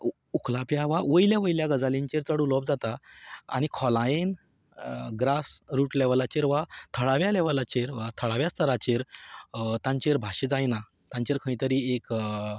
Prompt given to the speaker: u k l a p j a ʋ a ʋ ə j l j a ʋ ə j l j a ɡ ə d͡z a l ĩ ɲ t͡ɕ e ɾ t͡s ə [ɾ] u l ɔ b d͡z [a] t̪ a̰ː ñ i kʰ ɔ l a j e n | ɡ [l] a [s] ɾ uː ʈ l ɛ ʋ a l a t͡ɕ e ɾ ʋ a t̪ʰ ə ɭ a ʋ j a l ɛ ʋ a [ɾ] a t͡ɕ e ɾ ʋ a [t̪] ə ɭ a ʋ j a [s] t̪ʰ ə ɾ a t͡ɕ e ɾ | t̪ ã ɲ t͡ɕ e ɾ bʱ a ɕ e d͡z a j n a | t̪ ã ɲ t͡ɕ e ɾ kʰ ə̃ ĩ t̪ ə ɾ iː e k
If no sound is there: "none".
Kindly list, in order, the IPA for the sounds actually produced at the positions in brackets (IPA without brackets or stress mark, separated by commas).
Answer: ɽ, a, ɾ, s, l, t̪ʰ, s